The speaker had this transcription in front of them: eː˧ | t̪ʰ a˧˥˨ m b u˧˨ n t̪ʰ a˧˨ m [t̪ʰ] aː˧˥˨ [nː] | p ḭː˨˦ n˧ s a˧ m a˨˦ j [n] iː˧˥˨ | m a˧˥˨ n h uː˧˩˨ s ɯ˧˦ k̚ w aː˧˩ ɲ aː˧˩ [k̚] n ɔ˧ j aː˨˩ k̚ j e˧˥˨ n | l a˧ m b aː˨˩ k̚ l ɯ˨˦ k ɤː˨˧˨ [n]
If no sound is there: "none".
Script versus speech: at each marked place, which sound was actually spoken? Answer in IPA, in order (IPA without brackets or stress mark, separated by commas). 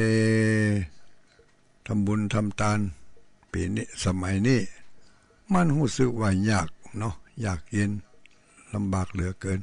t̪, n, n, k̚, n